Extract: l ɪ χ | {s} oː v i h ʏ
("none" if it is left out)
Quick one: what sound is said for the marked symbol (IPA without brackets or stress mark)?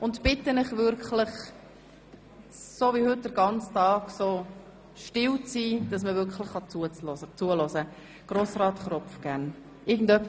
s